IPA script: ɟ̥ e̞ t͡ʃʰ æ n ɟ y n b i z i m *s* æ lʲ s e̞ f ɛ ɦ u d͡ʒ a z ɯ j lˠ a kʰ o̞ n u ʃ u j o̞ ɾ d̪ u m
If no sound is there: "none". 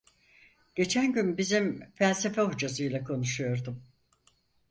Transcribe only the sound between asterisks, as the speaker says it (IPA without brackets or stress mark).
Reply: f